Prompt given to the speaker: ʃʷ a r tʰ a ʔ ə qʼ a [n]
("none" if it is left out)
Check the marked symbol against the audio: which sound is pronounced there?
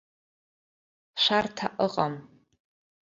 m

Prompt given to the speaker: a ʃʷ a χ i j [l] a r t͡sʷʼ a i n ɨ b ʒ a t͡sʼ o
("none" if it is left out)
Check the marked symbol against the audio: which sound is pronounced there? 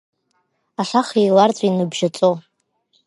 l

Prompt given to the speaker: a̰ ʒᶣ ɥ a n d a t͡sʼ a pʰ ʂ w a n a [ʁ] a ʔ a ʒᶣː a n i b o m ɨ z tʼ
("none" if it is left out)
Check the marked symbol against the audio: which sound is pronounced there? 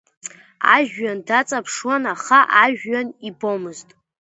χ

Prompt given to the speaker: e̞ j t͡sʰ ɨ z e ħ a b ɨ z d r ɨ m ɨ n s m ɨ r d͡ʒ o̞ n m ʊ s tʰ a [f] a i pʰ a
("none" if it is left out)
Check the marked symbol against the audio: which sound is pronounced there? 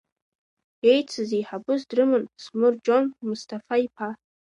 f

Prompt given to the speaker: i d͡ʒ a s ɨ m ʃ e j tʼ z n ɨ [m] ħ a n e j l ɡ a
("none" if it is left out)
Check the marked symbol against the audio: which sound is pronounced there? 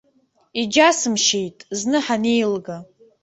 none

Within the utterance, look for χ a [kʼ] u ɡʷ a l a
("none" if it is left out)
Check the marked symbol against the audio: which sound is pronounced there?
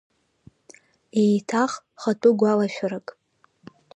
tʼ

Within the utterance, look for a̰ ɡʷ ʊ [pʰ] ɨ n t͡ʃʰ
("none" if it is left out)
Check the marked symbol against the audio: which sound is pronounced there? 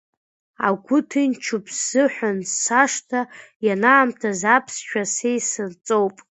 tʰ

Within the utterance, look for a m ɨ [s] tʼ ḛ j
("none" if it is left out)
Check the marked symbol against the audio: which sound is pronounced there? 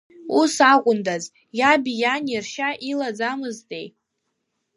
z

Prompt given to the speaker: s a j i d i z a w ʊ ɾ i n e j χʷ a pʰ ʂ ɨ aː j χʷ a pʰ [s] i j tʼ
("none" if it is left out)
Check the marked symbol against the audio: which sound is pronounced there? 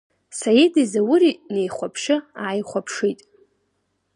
ʂ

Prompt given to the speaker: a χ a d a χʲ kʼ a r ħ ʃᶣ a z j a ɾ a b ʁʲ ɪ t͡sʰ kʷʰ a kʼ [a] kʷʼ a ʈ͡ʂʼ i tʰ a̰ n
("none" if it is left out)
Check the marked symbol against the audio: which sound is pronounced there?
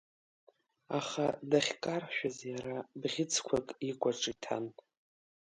i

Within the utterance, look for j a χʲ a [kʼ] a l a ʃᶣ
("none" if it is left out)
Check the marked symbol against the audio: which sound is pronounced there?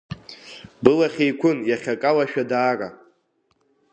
kʼ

